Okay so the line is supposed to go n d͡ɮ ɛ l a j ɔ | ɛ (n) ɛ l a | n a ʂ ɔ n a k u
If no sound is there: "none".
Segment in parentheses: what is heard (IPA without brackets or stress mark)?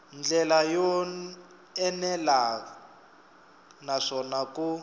n